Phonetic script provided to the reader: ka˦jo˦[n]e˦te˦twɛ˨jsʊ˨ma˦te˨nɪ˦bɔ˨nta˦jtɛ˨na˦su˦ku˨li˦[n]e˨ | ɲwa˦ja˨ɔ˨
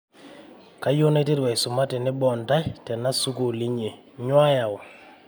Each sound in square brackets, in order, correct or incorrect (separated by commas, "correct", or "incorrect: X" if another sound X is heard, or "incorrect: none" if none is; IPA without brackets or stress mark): correct, incorrect: ɲ